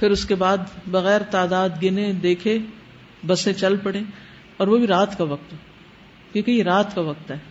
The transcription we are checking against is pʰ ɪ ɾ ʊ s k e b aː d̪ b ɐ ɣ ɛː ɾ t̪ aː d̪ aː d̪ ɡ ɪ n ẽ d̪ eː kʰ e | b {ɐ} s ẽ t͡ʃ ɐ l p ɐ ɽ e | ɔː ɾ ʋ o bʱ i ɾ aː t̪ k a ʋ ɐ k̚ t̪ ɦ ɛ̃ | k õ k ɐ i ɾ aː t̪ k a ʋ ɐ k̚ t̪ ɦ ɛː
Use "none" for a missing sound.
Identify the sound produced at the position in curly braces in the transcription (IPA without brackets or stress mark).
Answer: ɐ